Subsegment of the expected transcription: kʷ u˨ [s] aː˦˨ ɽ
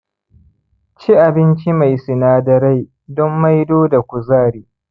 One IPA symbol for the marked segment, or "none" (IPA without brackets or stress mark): z